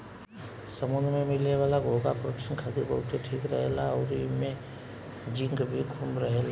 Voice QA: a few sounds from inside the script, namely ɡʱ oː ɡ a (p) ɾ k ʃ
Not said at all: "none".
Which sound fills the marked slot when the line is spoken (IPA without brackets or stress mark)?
p